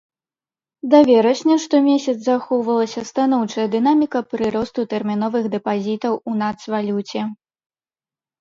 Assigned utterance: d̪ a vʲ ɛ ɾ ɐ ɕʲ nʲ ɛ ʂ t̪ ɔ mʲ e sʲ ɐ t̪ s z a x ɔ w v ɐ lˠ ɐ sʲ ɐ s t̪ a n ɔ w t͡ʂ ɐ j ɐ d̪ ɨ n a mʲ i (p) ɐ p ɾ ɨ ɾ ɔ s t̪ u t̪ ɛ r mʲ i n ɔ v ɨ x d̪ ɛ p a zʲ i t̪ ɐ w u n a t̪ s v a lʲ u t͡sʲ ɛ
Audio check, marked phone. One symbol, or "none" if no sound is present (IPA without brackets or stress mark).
k